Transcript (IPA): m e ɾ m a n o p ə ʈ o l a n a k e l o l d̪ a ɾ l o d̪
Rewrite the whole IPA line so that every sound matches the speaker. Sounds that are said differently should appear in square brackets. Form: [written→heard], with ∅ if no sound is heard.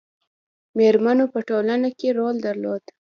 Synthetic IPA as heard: m e ɾ m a n o p ə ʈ o l a n a k e [l→ɾ] o l d̪ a ɾ l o d̪